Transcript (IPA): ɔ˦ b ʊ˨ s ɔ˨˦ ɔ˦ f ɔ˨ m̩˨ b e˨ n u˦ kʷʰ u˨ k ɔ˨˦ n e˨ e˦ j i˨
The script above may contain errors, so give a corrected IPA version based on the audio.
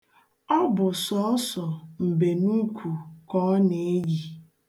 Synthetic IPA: ɔ˦ b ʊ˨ s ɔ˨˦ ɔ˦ s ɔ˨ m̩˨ b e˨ n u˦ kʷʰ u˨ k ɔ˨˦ n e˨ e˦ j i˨